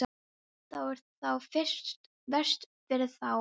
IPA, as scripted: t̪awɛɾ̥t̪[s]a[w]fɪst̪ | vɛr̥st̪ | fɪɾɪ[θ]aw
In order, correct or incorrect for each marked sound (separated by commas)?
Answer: incorrect, correct, correct